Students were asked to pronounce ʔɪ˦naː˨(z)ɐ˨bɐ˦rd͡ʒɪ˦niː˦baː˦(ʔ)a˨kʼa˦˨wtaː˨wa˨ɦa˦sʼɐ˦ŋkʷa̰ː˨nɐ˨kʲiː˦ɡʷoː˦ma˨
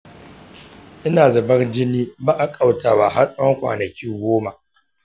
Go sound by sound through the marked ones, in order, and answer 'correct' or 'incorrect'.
correct, correct

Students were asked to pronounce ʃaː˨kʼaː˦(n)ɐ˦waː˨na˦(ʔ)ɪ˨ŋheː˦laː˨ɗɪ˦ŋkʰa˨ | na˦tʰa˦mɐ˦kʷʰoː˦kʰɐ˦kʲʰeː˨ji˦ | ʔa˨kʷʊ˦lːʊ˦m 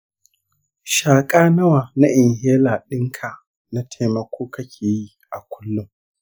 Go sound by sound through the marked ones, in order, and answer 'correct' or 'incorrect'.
correct, correct

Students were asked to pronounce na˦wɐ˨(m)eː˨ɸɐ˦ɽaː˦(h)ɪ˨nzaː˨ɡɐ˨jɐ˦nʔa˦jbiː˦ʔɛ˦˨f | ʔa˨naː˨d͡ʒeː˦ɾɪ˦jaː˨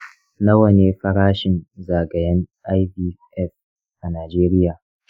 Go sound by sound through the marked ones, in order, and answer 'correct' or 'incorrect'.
incorrect, incorrect

